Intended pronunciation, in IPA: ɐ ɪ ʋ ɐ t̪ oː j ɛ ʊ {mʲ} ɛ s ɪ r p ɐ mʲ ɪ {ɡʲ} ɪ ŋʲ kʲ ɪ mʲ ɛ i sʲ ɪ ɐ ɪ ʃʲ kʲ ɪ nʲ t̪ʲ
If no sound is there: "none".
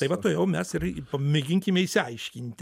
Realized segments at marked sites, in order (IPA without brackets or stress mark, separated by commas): mʲ, ɡʲ